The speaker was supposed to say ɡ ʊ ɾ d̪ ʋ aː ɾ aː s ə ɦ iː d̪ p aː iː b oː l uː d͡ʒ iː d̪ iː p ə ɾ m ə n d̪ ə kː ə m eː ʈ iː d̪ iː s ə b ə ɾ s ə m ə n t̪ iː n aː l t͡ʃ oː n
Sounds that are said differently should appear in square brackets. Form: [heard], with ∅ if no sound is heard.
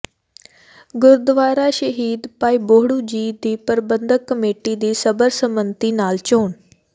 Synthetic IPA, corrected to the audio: ɡ ʊ ɾ d̪ ʋ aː ɾ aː [ʃ] ə ɦ iː d̪ p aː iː b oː [ɽ] uː d͡ʒ iː d̪ iː p ə ɾ [b] ə n d̪ ə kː ə m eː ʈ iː d̪ iː s ə b ə ɾ s ə m ə n t̪ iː n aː l t͡ʃ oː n